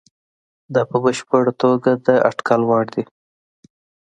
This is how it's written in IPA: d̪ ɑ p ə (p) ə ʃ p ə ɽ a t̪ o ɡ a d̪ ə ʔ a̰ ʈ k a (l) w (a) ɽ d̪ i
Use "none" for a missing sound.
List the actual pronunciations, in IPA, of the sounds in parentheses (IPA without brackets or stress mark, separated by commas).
b, l, ɑ